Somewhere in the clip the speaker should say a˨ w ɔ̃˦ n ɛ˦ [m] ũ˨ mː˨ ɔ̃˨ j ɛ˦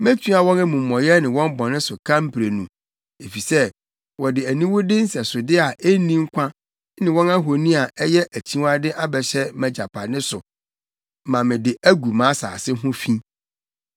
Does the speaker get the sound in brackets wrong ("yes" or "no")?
no